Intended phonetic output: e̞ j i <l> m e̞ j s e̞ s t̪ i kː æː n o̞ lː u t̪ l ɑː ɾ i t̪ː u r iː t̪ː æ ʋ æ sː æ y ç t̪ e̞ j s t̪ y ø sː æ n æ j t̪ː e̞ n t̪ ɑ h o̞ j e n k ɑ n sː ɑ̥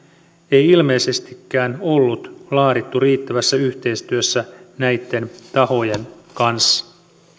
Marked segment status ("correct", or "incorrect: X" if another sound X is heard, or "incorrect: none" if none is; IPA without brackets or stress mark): correct